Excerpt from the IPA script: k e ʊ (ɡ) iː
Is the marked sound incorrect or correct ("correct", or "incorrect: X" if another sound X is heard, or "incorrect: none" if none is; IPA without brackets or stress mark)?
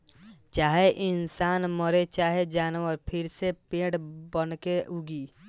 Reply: correct